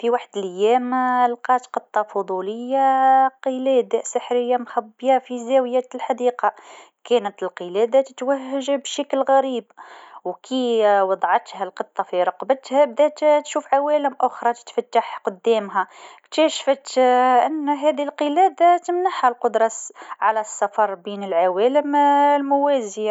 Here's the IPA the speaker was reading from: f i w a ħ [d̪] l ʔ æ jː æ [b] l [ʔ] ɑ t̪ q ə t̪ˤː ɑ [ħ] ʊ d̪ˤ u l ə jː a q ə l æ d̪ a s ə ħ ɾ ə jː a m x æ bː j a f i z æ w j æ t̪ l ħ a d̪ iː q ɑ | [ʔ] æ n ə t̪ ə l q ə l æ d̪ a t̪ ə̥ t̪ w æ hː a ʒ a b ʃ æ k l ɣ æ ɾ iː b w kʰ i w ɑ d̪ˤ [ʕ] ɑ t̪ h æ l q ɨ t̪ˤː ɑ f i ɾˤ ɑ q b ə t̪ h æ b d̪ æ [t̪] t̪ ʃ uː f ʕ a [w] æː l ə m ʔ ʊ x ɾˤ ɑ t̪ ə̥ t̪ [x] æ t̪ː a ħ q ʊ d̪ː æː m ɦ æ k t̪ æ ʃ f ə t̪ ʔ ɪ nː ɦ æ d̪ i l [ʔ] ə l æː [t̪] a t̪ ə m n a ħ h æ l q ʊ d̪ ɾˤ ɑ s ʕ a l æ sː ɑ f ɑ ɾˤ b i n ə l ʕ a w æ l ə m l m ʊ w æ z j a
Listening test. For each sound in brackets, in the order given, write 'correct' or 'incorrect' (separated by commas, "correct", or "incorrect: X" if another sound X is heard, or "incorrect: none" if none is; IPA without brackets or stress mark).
correct, incorrect: m, incorrect: q, incorrect: f, incorrect: k, correct, correct, correct, incorrect: f, incorrect: q, incorrect: d̪